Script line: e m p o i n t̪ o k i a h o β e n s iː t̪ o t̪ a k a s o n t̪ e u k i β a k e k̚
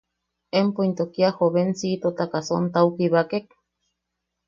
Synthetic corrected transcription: e m p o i n t̪ o k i a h o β e n s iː t̪ o t̪ a k a s o n t̪ a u k i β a k e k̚